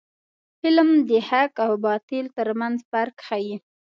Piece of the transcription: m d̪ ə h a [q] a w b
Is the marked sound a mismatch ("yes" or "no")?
yes